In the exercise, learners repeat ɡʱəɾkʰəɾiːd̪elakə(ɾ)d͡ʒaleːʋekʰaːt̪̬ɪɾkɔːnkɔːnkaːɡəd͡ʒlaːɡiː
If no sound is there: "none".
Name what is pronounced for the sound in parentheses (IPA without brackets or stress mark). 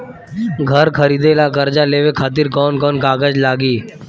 ɾ